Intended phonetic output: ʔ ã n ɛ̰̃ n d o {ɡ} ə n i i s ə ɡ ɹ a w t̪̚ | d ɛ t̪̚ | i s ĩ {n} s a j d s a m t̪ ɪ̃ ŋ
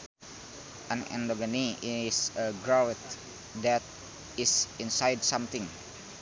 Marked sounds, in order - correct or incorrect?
correct, correct

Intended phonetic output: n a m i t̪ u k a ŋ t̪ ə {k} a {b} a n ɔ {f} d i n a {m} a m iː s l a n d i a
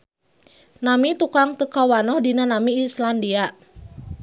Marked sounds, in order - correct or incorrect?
correct, incorrect: w, incorrect: h, incorrect: n

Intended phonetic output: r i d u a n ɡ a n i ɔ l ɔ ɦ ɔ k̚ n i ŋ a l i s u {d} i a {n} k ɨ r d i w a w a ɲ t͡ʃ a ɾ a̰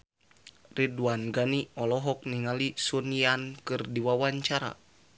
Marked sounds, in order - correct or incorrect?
incorrect: n, correct

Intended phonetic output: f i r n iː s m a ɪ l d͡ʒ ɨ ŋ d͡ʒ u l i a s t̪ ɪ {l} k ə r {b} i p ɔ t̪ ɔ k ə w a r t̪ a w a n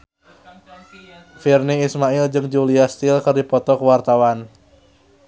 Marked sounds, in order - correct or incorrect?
correct, incorrect: d

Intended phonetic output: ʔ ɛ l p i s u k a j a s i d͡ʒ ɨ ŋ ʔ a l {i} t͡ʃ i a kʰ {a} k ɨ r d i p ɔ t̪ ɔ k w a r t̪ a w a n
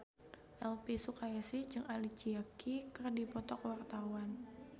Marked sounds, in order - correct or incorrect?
correct, incorrect: i

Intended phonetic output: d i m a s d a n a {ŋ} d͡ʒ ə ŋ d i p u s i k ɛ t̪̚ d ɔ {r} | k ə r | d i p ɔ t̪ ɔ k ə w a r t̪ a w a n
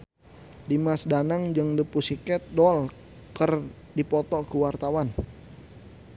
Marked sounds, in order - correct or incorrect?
correct, incorrect: l

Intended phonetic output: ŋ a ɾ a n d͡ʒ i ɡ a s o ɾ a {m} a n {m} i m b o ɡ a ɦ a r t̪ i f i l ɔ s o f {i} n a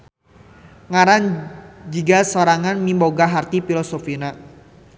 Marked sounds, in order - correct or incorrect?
incorrect: ŋ, correct, correct

